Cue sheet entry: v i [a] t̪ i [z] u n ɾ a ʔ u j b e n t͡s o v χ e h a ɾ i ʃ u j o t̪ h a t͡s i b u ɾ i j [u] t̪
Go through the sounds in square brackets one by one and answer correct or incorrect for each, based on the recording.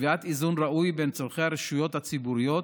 correct, correct, incorrect

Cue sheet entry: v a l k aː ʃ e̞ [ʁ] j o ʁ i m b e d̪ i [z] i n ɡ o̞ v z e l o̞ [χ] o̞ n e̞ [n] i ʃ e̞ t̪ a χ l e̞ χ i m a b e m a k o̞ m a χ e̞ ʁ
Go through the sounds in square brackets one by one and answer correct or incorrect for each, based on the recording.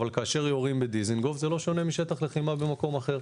correct, correct, incorrect, incorrect

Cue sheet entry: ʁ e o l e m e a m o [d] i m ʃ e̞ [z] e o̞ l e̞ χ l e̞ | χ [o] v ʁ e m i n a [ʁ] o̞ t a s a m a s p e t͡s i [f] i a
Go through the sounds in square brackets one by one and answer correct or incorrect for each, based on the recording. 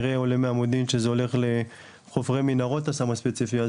correct, correct, correct, correct, correct

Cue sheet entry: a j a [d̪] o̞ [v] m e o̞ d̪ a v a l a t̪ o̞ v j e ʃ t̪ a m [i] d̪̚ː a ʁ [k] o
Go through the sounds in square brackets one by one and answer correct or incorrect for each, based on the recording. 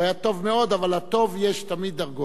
incorrect, correct, correct, incorrect

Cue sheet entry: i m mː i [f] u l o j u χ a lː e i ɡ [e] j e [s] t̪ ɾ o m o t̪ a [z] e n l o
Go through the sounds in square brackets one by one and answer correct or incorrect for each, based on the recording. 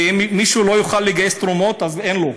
incorrect, incorrect, correct, correct

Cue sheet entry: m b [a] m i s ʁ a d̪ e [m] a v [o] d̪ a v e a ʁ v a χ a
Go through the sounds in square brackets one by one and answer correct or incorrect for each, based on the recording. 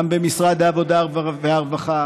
incorrect, incorrect, correct

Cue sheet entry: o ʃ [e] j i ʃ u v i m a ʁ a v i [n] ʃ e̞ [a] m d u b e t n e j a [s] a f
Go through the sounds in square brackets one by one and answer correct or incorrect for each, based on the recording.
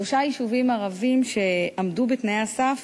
incorrect, incorrect, correct, correct

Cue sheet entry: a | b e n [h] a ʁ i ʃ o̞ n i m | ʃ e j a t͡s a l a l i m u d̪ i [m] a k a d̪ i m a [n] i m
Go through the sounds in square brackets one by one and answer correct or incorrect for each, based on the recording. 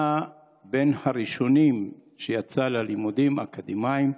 correct, correct, incorrect

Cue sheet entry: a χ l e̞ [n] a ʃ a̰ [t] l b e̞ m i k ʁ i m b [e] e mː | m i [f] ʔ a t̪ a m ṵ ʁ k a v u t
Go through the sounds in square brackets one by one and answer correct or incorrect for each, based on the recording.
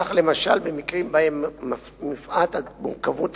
incorrect, incorrect, incorrect, correct

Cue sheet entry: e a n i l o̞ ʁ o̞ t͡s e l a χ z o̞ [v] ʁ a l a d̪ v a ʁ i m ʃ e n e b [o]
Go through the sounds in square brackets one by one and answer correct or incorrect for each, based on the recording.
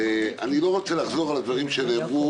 incorrect, incorrect

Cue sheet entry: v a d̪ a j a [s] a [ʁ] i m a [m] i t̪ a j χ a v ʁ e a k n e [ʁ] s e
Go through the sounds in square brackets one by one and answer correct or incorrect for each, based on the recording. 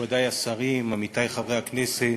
correct, correct, correct, incorrect

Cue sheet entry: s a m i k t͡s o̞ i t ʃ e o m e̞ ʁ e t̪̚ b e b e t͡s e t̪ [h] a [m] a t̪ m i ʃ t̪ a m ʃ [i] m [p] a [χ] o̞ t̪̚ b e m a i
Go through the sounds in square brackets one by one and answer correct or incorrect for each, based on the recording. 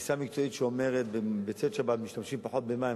incorrect, incorrect, correct, correct, incorrect

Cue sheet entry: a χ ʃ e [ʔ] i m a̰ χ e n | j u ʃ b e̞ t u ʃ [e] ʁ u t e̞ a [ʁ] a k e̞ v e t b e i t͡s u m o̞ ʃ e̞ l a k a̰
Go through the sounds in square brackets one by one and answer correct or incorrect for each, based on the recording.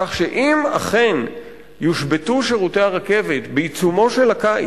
correct, correct, correct

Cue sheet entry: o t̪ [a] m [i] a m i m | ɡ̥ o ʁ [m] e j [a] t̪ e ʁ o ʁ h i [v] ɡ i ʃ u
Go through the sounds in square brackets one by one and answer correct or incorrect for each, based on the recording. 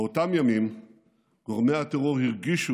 correct, incorrect, correct, correct, incorrect

